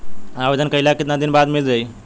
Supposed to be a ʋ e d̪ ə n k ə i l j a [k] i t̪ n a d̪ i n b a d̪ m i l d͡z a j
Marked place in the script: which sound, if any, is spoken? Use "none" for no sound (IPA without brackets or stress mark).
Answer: k